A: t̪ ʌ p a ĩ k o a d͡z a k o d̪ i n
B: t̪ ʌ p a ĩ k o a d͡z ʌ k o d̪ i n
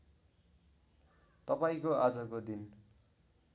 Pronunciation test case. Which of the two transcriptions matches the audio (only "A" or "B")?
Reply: B